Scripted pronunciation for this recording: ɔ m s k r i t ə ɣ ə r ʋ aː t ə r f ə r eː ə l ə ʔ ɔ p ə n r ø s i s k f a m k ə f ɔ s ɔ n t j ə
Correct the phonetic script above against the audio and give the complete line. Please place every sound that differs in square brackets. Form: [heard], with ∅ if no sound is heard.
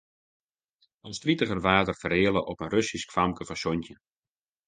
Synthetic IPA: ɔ [n] s [t] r i t ə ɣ ə r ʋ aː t ə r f ə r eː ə l ə ʔ ɔ p ə n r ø s i s k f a m k ə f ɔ s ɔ n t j ə